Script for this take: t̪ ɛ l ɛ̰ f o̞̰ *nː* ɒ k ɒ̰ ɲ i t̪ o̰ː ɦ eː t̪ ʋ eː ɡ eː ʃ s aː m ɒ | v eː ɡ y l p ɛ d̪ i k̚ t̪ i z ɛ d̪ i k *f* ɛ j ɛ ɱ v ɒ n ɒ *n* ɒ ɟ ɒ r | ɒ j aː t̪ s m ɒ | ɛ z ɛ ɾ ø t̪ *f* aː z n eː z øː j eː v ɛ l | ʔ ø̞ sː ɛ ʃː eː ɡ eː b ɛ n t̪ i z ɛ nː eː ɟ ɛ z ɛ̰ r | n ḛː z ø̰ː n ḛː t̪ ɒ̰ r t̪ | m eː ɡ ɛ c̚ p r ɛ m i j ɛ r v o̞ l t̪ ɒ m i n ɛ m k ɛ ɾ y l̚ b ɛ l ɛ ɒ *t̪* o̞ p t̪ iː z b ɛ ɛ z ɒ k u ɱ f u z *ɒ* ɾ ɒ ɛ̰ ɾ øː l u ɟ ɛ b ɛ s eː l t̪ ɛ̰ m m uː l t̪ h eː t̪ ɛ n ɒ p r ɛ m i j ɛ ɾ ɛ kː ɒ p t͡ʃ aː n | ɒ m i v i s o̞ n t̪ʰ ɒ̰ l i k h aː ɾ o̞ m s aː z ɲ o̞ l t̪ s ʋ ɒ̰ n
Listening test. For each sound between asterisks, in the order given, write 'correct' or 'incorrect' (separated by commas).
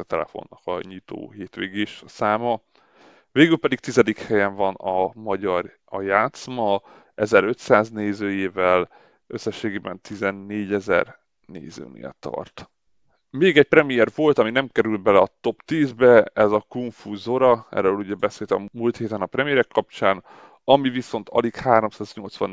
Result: correct, incorrect, incorrect, incorrect, correct, incorrect